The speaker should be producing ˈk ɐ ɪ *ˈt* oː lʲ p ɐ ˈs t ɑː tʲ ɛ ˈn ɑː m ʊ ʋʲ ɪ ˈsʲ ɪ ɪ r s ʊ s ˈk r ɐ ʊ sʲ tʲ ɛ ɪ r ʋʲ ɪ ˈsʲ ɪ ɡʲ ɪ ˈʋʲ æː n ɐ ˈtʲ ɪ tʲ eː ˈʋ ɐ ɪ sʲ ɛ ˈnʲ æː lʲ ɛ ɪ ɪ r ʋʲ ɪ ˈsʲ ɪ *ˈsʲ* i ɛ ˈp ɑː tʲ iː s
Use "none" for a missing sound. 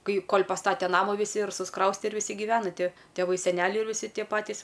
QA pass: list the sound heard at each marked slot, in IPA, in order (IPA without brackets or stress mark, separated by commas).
k, tʲ